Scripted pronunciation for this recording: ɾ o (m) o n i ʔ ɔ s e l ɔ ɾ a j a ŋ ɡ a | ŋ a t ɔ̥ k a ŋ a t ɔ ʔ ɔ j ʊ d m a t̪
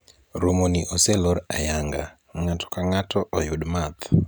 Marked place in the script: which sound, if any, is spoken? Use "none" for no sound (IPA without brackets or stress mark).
m